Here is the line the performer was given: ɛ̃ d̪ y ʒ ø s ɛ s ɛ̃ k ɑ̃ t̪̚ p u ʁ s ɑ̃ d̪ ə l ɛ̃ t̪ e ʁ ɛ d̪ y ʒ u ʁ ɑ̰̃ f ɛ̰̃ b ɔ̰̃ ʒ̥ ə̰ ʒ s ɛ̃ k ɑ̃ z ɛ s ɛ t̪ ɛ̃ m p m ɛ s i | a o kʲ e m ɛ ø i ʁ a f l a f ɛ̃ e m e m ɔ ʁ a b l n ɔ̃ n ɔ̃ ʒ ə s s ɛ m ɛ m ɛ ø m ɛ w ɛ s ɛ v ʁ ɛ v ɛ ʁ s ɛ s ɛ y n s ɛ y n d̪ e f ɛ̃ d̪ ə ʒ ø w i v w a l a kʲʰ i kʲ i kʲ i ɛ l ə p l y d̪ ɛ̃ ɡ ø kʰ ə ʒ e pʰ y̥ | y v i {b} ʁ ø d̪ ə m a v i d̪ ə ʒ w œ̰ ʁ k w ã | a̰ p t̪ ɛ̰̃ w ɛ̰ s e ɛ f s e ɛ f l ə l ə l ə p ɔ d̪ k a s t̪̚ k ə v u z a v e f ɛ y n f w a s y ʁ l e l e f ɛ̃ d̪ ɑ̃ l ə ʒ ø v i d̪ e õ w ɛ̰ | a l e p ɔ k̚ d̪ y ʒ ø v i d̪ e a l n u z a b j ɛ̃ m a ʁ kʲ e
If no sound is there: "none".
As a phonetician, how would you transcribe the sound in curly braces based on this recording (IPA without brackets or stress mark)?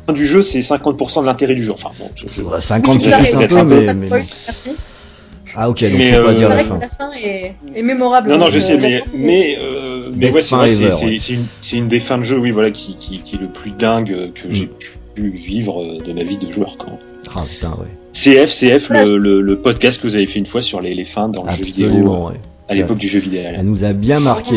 v